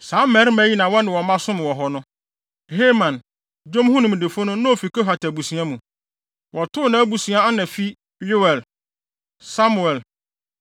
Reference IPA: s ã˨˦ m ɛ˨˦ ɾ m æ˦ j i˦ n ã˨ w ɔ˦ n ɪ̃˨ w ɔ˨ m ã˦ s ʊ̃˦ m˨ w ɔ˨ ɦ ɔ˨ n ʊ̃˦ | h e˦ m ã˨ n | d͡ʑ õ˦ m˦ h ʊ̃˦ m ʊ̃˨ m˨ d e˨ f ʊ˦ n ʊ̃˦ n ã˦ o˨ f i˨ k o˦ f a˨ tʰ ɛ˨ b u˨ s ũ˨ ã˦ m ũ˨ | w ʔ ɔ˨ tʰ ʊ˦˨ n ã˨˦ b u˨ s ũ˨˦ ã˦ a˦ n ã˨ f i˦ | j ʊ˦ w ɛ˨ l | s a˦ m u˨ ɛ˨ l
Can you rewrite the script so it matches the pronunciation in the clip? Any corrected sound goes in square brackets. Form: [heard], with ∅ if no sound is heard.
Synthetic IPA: s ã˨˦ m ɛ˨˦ ɾ m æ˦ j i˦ n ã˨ w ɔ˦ n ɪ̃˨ w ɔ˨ m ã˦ s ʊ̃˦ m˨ w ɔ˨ ɦ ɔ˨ n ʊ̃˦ | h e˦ m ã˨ n | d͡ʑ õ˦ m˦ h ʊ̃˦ [n] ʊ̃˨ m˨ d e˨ f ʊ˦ n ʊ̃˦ n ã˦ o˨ f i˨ k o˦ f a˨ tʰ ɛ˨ b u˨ s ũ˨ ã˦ m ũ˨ | w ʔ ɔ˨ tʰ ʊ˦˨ n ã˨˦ b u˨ s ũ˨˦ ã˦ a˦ n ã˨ f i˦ | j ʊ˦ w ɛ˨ l | s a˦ m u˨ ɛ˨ l